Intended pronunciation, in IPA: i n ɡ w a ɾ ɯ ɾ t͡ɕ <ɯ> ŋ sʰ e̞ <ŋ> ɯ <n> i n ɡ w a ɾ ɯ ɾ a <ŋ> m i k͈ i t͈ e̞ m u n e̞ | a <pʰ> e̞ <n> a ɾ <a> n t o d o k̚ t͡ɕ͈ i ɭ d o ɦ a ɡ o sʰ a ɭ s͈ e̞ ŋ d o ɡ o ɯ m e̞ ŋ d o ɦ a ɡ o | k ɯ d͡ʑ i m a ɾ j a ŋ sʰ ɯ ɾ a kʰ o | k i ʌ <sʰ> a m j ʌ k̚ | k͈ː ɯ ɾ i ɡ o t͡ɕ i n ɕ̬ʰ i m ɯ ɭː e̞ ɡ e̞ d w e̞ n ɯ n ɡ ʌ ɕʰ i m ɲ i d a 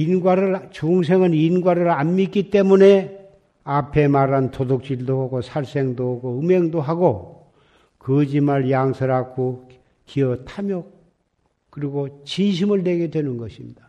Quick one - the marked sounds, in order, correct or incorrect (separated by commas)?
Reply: incorrect, correct, correct, incorrect, correct, incorrect, correct, incorrect